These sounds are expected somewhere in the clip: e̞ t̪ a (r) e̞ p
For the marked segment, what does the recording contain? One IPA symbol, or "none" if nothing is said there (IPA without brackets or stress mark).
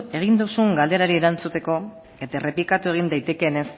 r